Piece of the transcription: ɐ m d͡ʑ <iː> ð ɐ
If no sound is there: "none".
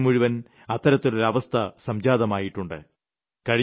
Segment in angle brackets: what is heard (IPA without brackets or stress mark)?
aː